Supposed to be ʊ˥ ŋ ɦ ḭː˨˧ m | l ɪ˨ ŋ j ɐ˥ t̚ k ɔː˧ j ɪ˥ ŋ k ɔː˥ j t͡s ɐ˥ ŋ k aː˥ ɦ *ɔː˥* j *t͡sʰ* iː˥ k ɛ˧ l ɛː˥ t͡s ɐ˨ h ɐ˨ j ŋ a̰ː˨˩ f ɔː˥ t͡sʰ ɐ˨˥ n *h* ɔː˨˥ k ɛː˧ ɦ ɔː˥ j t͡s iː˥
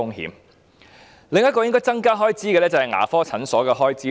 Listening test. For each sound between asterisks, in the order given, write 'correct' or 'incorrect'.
correct, incorrect, incorrect

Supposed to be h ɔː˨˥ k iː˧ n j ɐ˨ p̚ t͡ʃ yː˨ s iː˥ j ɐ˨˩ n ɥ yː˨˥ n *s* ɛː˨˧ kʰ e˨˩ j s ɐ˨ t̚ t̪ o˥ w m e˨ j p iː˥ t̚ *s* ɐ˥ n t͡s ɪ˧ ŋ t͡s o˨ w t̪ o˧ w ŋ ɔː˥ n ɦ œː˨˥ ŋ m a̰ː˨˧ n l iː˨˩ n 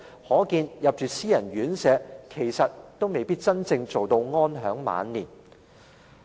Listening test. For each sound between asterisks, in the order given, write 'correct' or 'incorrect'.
correct, incorrect

